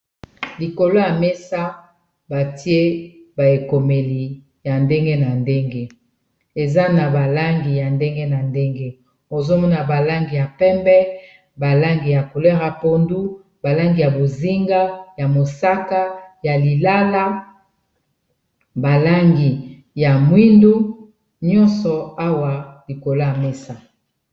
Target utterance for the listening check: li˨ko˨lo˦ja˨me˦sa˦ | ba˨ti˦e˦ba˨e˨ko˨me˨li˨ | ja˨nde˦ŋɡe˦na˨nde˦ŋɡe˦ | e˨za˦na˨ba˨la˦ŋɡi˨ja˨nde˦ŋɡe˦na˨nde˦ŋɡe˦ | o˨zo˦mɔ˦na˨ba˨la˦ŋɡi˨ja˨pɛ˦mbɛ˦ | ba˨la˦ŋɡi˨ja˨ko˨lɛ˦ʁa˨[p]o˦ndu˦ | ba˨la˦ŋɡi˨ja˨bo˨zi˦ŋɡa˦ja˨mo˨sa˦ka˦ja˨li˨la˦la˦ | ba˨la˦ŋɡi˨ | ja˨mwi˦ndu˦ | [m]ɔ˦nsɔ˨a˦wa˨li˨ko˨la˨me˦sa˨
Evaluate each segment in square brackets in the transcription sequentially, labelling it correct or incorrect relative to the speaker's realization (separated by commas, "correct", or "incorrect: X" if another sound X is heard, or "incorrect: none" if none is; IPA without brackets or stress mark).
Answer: correct, incorrect: ɲ